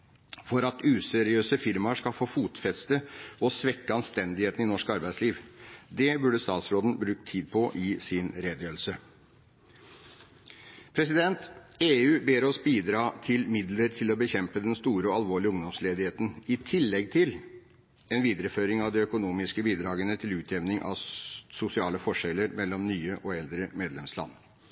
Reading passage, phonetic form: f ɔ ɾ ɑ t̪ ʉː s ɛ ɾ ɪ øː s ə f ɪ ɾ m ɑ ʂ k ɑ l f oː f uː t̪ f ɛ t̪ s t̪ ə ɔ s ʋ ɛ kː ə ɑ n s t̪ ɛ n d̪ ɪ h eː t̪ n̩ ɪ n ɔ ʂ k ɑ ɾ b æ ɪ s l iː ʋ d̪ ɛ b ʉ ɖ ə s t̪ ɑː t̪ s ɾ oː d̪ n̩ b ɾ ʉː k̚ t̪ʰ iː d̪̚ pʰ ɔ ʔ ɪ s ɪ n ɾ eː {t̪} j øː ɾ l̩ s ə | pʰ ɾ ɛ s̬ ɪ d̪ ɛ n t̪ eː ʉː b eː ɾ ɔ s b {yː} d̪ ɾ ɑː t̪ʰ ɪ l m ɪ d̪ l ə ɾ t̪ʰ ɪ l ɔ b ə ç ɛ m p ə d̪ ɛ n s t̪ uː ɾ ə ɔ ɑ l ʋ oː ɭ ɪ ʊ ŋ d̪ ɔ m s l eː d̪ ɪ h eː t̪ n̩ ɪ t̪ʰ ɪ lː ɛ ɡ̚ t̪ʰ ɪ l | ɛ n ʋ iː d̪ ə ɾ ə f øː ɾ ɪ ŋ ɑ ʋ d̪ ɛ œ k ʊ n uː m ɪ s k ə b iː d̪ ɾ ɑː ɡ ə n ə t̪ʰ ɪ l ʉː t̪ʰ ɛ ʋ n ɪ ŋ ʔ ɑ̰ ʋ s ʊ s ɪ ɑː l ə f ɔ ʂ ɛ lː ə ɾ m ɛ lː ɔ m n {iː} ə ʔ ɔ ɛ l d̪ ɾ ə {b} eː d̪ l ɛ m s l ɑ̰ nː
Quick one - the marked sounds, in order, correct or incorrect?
incorrect, incorrect, incorrect, incorrect

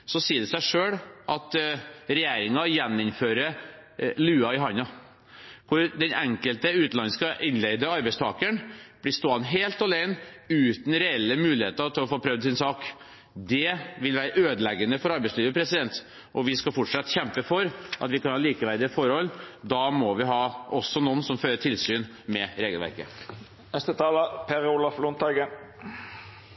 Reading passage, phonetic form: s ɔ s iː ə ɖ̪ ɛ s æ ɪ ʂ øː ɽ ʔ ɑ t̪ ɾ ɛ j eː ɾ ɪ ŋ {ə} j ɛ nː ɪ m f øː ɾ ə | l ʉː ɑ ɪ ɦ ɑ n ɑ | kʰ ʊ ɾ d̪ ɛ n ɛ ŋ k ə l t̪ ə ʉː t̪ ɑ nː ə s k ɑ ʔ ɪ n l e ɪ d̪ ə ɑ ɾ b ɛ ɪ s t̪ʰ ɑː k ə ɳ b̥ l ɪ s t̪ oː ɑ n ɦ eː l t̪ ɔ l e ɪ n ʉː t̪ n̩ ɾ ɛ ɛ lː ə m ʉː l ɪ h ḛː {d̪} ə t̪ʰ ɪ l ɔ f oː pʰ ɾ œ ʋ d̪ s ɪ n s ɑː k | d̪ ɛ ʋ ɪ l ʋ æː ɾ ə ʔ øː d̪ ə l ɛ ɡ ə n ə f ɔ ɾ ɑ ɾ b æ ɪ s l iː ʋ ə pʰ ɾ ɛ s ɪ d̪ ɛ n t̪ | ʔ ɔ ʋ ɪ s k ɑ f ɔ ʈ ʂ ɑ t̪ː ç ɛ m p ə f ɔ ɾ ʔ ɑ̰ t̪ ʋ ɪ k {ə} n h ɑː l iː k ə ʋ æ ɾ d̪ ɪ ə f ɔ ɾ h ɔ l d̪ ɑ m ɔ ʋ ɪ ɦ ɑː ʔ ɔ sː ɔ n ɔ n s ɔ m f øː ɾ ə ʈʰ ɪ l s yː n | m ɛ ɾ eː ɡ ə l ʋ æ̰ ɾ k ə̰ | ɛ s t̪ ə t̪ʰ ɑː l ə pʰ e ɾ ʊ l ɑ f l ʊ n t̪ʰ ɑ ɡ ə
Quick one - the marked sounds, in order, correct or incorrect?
incorrect, incorrect, incorrect

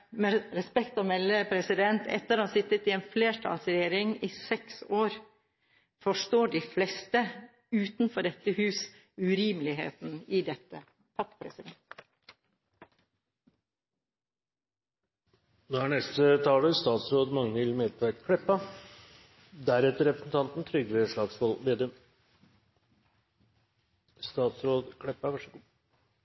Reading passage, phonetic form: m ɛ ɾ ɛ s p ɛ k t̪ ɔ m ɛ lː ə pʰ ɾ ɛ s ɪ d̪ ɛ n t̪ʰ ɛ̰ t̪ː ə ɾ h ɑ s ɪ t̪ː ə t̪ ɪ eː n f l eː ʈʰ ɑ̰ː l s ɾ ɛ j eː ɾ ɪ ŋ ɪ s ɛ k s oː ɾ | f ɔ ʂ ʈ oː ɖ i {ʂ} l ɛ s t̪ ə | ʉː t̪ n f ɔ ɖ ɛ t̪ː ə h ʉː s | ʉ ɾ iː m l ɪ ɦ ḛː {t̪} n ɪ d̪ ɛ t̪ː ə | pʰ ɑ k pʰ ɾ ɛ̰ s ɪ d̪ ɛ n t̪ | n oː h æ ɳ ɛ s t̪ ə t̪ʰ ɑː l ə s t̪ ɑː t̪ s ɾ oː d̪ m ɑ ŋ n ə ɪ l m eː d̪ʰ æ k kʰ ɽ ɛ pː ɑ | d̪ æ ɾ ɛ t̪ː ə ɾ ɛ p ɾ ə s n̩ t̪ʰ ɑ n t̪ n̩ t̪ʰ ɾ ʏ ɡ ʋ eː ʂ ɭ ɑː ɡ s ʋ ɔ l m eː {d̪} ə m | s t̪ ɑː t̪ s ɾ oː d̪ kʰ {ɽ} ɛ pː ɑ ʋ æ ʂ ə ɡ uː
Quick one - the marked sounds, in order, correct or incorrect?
incorrect, correct, correct, correct

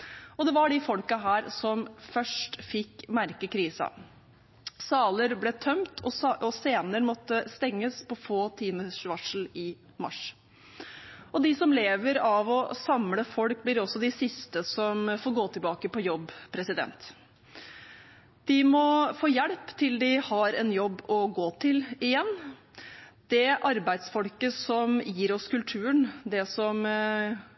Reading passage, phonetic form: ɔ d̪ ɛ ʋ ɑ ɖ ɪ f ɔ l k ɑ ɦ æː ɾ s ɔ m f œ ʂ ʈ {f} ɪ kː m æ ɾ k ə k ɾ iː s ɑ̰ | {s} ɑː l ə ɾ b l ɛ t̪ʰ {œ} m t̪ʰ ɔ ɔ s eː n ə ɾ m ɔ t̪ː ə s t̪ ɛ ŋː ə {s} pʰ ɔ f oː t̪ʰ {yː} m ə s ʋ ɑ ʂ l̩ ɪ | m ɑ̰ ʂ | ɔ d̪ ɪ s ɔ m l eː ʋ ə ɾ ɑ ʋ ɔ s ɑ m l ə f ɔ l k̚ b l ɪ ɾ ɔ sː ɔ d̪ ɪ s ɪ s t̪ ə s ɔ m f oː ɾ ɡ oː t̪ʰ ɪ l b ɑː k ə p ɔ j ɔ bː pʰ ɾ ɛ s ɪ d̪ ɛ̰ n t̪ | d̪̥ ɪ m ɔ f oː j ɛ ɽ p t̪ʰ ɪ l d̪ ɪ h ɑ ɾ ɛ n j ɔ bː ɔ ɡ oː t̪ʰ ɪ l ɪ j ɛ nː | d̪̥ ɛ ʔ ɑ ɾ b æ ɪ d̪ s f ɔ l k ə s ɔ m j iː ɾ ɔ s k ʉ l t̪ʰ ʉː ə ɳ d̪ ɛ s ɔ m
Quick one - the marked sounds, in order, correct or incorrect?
correct, correct, correct, correct, incorrect

